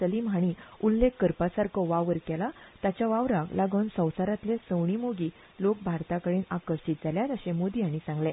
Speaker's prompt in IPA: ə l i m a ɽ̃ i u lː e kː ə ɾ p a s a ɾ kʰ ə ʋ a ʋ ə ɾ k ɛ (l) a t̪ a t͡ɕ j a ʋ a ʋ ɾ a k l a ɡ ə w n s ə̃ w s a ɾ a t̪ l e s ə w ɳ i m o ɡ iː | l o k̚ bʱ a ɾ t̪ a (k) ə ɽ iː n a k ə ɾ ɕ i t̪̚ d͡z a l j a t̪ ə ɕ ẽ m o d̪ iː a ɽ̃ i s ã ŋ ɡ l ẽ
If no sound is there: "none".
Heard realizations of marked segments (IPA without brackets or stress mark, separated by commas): l, k